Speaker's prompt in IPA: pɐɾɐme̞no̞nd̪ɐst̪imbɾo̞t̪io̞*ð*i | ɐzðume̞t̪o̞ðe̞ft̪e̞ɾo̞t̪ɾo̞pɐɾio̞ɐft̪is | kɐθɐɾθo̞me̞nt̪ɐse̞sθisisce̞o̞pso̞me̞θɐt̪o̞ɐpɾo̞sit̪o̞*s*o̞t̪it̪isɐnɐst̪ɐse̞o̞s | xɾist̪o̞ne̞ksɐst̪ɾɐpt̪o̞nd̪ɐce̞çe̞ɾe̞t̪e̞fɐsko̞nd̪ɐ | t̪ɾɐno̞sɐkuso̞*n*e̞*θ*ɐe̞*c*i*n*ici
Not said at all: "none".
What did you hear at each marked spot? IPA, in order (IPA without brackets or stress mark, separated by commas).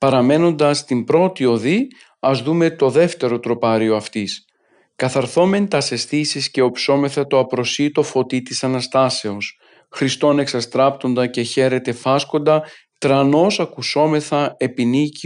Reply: ð, f, m, θ, p, n